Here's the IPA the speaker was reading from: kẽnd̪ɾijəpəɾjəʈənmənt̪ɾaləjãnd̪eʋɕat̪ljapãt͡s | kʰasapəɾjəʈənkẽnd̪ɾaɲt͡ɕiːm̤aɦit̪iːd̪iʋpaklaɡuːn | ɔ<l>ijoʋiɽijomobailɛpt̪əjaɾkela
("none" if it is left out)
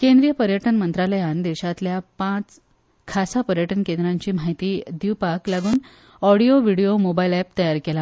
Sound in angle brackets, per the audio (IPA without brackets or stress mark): ɽ